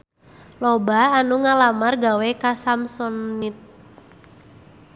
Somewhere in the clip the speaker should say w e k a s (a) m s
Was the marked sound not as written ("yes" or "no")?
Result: no